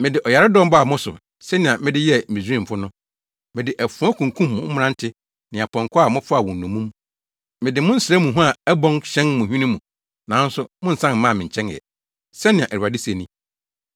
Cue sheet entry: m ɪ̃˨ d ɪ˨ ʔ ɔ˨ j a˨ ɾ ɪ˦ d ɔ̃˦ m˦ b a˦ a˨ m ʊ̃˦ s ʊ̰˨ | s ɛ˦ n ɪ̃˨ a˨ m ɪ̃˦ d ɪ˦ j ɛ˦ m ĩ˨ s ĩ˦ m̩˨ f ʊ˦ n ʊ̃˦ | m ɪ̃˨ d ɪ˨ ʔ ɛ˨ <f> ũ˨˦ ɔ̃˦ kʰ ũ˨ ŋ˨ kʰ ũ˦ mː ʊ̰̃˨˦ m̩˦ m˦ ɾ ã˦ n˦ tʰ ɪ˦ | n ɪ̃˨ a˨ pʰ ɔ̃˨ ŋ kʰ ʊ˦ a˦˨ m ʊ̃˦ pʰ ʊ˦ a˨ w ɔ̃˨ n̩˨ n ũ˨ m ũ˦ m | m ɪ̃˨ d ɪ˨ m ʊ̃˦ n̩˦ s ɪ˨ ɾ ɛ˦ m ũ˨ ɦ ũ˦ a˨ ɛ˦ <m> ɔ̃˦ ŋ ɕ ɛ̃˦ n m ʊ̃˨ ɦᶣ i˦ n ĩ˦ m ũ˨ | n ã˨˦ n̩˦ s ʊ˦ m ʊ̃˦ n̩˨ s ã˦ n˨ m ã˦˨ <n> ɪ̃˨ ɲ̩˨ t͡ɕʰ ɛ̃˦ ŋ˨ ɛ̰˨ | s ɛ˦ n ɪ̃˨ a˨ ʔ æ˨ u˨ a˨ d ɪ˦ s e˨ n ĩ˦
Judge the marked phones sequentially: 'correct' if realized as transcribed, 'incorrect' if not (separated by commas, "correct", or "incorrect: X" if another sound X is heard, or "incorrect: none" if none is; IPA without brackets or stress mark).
correct, incorrect: b, incorrect: m